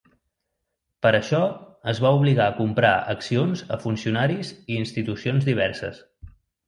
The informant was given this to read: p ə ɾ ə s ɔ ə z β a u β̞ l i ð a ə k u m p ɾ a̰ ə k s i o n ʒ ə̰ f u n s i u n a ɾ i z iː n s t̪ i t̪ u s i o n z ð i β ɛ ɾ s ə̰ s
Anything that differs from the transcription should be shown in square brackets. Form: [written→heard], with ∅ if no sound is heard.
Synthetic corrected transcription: p ə ɾ ə [s→ʃ] ɔ ə z β a u β̞ l i [ð→ɣ] a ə k u m p ɾ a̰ ə k s i o n [ʒ→z] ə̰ f u n s i u n a ɾ i z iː n s t̪ i t̪ u s i o n z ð i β ɛ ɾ s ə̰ s

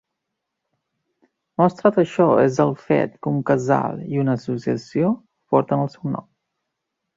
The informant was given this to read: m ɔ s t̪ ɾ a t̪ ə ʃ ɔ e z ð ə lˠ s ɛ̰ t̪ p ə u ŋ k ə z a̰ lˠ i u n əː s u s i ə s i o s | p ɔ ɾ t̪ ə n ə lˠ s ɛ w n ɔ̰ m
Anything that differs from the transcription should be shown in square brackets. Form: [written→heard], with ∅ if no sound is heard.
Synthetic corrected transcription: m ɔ s t̪ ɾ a t̪ ə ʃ ɔ e z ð ə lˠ [s→f] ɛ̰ t̪ [p→k] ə u ŋ k ə z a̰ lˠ i u n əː s u s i ə s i o [s→∅] | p ɔ ɾ t̪ ə n ə lˠ s ɛ w n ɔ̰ m

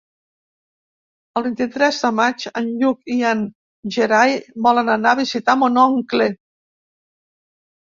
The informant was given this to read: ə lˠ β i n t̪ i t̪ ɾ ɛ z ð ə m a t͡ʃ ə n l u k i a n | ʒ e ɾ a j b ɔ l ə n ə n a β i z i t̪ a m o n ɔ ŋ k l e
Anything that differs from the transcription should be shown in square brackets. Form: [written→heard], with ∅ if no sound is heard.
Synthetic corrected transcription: ə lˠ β i n t̪ i t̪ ɾ ɛ z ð ə m a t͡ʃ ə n [l→ʎ] u k i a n | ʒ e ɾ a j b ɔ l ə n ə n a β i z i t̪ a m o n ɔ ŋ k l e

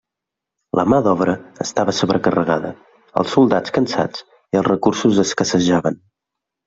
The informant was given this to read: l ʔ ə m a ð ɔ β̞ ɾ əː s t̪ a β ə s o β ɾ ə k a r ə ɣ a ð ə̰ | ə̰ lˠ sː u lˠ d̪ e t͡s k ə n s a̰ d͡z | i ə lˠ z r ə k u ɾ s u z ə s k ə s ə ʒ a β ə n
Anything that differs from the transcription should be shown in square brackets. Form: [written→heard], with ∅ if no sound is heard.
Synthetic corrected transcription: l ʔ ə m a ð ɔ β̞ ɾ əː s t̪ a β ə s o β ɾ ə k [a→ə] r ə ɣ a ð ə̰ | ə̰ lˠ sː u lˠ d̪ [e→a] t͡s k ə n s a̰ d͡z | i ə lˠ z r ə k u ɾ s u z ə s k ə s ə ʒ a β ə n

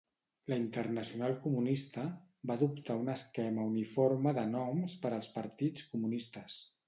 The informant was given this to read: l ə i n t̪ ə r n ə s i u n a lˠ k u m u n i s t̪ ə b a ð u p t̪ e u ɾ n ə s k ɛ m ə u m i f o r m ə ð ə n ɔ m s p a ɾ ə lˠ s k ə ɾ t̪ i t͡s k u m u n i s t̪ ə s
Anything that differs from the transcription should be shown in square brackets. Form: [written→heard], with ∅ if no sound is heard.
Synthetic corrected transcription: l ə i n t̪ ə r n ə s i u n a lˠ k u m u n i s t̪ ə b a ð u p t̪ [e→a] u [ɾ→∅] n ə s k ɛ m ə u [m→n] i f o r m ə ð ə n ɔ m s p [a→ə] ɾ ə lˠ s [k→p] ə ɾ t̪ i t͡s k u m u n i s t̪ ə s

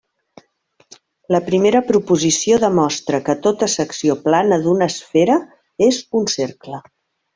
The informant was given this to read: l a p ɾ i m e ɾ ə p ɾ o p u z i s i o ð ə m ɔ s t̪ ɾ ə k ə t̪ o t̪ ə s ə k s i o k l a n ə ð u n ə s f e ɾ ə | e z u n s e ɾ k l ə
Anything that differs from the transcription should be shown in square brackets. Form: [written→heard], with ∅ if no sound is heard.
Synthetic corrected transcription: l [a→ə] p ɾ i m e ɾ ə p ɾ [o→u] p u z i s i o ð ə m ɔ s t̪ ɾ ə k ə t̪ o t̪ ə s ə k s i o [k→p] l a n ə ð u n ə s f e ɾ ə | e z u n s e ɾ k l ə

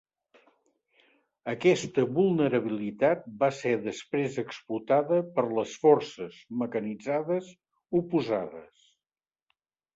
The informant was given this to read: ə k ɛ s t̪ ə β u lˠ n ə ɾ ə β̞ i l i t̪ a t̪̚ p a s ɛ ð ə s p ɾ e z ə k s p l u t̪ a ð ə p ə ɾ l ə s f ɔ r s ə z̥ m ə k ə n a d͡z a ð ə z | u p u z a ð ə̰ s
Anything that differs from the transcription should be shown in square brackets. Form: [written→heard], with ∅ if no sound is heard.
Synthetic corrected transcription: ə k ɛ s t̪ ə β u lˠ n ə ɾ ə β̞ i l i t̪ a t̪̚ [p→b] a s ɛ ð ə s p ɾ e z ə k s p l u t̪ a ð ə p ə ɾ l ə s f ɔ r s ə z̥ m ə k ə n [a→i] d͡z a ð ə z | u p u z a ð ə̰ s

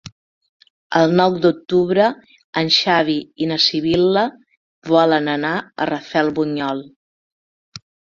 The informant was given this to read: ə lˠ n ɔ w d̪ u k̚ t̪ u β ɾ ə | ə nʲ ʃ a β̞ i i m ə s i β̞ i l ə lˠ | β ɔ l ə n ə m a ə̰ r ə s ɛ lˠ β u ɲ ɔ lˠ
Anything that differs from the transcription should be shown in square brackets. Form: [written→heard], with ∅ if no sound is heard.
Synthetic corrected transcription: ə lˠ n ɔ w d̪ u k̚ t̪ u β ɾ ə | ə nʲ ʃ a β̞ i i [m→n] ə s i β̞ i l ə [lˠ→∅] | β ɔ l ə n ə [m→n] a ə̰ r ə [s→f] ɛ lˠ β u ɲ ɔ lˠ

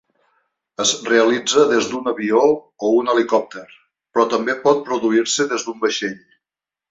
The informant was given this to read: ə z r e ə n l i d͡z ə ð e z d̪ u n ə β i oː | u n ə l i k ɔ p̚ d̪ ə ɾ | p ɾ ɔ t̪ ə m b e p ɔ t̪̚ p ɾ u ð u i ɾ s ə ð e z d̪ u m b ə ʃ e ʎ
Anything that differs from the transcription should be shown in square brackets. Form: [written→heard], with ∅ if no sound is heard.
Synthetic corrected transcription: ə z r e ə [n→∅] l i d͡z ə ð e z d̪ u n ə β i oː | u n ə l i k ɔ p̚ [d̪→t̪] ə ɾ | p ɾ ɔ t̪ ə m b e p ɔ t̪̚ p ɾ u ð u i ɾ s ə ð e z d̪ u m b ə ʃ e ʎ

